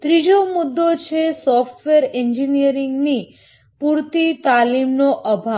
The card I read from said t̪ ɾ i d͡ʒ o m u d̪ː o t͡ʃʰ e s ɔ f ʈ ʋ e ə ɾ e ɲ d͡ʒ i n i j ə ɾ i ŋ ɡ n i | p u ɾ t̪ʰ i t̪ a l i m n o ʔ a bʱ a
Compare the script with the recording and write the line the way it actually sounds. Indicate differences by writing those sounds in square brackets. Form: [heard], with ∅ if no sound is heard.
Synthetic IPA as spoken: t̪ ɾ i d͡ʒ o m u d̪ː o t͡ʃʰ e s ɔ f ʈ ʋ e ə ɾ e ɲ d͡ʒ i n i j ə ɾ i ŋ ɡ n i | p u ɾ [t̪] i t̪ a l i m n o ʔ [ə] bʱ a